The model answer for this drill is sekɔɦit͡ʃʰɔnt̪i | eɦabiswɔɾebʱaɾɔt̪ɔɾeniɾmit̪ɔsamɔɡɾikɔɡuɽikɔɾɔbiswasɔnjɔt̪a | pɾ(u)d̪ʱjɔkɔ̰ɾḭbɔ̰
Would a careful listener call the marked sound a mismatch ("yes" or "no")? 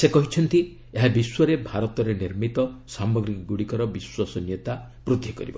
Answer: no